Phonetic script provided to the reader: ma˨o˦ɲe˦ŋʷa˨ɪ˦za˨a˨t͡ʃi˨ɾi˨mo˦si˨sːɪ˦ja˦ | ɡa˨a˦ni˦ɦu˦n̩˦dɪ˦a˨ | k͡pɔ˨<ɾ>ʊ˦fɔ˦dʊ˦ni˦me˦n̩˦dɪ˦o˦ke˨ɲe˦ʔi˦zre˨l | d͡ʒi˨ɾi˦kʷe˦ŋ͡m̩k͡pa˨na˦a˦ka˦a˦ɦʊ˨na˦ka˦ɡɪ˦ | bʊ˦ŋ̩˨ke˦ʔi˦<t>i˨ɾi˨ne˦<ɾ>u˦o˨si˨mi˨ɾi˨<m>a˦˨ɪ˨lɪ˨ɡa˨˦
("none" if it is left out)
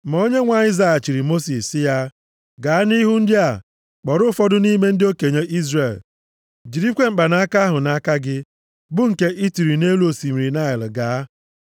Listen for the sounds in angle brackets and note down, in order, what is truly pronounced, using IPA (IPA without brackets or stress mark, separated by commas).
ɾ, t, l, n